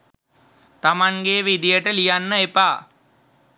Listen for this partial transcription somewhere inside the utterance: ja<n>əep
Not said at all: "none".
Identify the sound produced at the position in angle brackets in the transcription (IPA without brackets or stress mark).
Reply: nː